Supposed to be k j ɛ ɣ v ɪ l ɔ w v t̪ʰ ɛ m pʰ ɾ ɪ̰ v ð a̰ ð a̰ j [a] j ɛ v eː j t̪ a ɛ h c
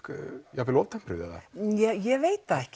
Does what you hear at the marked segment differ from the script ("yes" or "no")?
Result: yes